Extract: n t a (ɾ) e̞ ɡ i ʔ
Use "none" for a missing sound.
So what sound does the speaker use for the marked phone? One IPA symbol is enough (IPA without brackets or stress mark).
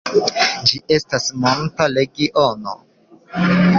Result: l